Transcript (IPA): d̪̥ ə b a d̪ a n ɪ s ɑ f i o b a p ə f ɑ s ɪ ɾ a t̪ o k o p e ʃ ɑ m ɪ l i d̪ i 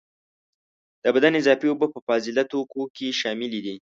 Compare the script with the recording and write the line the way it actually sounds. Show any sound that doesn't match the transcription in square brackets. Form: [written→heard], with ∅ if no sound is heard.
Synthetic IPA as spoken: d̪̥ ə b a d̪ a n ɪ [s→z] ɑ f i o b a p ə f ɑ [s→z] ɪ [ɾ→l] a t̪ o k o [p→k] e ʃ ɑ m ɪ l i d̪ i